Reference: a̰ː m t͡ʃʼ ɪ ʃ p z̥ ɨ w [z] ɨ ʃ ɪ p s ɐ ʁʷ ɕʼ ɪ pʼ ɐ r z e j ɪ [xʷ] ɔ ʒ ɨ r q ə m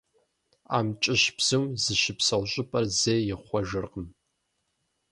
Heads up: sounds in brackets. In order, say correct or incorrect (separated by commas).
correct, incorrect